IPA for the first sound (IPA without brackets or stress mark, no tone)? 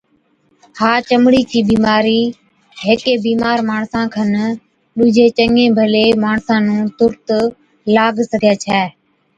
h